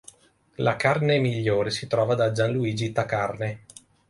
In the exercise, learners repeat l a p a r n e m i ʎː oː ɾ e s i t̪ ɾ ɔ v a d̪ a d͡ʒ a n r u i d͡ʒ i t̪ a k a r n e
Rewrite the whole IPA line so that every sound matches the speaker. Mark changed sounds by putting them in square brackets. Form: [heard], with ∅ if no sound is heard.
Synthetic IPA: l a [k] a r n e m i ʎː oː ɾ e s i t̪ ɾ [ɔː] v a d̪ a d͡ʒ a n [l] u [iː] d͡ʒ i t̪ a k a r n e